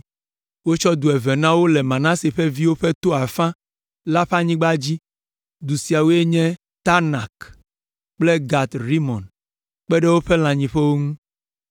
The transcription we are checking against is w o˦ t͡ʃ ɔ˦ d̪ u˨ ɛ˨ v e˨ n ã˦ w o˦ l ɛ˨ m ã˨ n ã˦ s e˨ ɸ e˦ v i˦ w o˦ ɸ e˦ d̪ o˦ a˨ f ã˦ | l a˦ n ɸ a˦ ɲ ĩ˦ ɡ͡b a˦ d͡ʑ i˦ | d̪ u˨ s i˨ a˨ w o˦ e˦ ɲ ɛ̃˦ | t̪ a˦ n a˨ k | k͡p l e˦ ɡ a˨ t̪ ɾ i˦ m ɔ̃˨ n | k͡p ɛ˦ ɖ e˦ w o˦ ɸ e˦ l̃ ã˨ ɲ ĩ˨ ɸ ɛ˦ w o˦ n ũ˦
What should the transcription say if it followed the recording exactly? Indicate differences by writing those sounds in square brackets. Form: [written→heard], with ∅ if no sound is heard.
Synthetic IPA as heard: w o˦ t͡ʃ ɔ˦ d̪ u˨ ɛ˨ v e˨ n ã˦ w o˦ l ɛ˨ m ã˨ n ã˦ s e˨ ɸ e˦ v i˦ w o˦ ɸ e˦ [d̪→t̪] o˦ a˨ f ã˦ | l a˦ [n→∅] ɸ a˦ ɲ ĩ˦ ɡ͡b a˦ d͡ʑ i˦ | d̪ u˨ s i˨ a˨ w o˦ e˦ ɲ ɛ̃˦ | t̪ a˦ n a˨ k | k͡p l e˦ ɡ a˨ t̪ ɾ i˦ m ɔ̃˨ n | k͡p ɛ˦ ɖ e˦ w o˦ ɸ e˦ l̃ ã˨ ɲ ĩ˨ ɸ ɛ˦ w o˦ [n→ŋ] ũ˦